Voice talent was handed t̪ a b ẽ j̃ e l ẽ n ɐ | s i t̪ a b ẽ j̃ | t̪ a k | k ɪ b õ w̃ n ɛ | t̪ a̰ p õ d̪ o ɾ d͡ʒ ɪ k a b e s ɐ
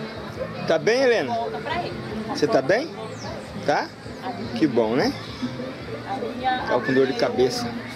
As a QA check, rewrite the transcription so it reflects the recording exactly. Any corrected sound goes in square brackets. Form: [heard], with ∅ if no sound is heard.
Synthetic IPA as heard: t̪ a b ẽ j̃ e l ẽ n ɐ | s [e] t̪ a b ẽ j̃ | t̪ a [∅] | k ɪ b õ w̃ n ɛ | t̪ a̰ [k] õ d̪ o ɾ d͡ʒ ɪ k a b e s ɐ

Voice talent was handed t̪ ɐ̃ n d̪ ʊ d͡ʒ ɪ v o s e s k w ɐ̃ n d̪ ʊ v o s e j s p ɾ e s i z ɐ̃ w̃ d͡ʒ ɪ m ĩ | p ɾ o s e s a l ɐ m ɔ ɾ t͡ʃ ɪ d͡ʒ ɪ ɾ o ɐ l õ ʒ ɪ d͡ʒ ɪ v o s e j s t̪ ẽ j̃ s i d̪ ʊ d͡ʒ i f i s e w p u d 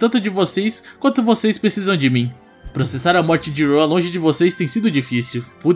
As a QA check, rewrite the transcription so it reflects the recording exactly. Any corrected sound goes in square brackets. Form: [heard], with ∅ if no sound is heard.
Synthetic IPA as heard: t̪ ɐ̃ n [t̪] ʊ d͡ʒ ɪ v o s e s k w ɐ̃ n [t̪] ʊ v o s e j s p ɾ e s i z ɐ̃ w̃ d͡ʒ ɪ m ĩ | p ɾ o s e s a [ɾ] ɐ m ɔ ɾ t͡ʃ ɪ d͡ʒ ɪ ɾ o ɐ l õ ʒ ɪ d͡ʒ ɪ v o s e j s t̪ ẽ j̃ s i d̪ ʊ d͡ʒ i f i s [i] w p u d

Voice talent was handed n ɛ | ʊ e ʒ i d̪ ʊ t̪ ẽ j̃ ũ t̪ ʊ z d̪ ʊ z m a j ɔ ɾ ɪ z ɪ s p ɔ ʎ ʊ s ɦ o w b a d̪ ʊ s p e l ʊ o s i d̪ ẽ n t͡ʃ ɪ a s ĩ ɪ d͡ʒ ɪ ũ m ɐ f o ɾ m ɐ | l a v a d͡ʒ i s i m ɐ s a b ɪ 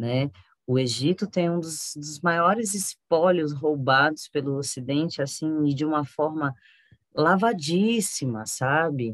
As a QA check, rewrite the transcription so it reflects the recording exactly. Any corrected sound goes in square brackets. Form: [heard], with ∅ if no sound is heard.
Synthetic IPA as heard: n ɛ | ʊ e ʒ i [t̪] ʊ t̪ ẽ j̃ ũ [d̪] ʊ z d̪ ʊ z m a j ɔ ɾ ɪ z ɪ s p ɔ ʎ ʊ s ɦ o w b a d̪ ʊ s p e l ʊ o s i d̪ ẽ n t͡ʃ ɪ a s ĩ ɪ d͡ʒ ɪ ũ m ɐ f [ɔ] ɾ m ɐ | l a v a d͡ʒ i s i m ɐ s a b ɪ

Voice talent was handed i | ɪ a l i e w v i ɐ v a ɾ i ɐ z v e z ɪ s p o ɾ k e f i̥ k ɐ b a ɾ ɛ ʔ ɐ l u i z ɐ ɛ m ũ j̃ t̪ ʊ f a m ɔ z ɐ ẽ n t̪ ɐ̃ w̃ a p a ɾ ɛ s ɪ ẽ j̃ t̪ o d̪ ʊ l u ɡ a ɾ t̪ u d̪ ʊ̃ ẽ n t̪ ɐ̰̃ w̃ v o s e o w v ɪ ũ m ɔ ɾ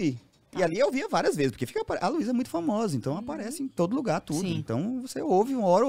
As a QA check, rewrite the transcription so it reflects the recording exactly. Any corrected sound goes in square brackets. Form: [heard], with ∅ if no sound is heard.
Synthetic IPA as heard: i | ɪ a l i e w v i ɐ v a ɾ i ɐ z v e z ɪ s p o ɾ k e f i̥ k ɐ [p] a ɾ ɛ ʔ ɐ l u i z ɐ ɛ m ũ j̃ t̪ ʊ f a m ɔ z ɐ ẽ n t̪ ɐ̃ w̃ a p a ɾ ɛ s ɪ ẽ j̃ t̪ o d̪ ʊ l u ɡ a ɾ t̪ u d̪ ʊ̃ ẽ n t̪ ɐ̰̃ w̃ v o s e o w v ɪ ũ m ɔ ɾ

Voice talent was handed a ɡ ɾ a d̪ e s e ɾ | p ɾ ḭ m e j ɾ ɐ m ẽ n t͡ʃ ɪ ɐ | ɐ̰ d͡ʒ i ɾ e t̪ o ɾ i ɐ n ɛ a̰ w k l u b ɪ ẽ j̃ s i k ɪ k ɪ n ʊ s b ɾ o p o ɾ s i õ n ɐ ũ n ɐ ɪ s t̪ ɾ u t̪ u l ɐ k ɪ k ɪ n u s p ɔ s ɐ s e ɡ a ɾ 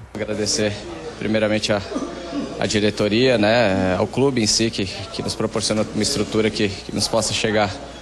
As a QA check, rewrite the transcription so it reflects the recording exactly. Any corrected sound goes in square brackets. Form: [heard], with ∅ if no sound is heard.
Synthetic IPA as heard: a ɡ ɾ a d̪ e s e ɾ | p ɾ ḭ m e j ɾ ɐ m ẽ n t͡ʃ ɪ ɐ | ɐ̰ d͡ʒ i ɾ e t̪ o ɾ i ɐ n ɛ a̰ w k l u b ɪ ẽ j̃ s i k ɪ k ɪ n ʊ s [p] ɾ o p o ɾ s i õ n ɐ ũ [m] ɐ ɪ s t̪ ɾ u t̪ u [ɾ] ɐ k ɪ k ɪ n [ʊ] s p ɔ s ɐ [ʃ] e ɡ a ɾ

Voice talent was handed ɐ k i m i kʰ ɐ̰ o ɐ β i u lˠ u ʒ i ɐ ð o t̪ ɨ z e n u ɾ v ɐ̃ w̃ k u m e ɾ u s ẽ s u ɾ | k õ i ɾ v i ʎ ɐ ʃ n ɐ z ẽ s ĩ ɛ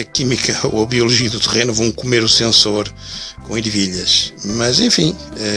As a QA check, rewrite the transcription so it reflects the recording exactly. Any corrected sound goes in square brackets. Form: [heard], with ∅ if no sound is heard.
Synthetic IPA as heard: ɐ k i m i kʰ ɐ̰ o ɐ β i u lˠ u ʒ i ɐ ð [u] t̪ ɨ [ʁ] e n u [∅] v ɐ̃ w̃ k u m e ɾ u s ẽ s [o] ɾ | k õ i ɾ v i ʎ ɐ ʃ [m] ɐ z ẽ [f] ĩ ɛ

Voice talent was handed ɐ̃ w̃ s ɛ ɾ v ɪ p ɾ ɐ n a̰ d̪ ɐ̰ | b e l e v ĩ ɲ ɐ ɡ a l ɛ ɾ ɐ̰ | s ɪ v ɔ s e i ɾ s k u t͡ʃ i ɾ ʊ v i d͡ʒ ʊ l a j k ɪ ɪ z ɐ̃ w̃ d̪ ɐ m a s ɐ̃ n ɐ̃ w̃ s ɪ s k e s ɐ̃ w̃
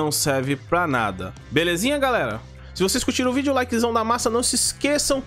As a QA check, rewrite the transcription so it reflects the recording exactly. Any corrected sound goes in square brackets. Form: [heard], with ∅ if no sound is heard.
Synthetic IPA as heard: ɐ̃ w̃ s ɛ ɾ v ɪ p ɾ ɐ n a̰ d̪ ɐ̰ | b e l e [z] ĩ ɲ ɐ ɡ a l ɛ ɾ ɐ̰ | s ɪ v [o] s e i [∅] s k u t͡ʃ i ɾ ʊ v i d͡ʒ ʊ l a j k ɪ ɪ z ɐ̃ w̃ d̪ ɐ m a s [ɐ] n ɐ̃ w̃ s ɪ s k e s ɐ̃ w̃

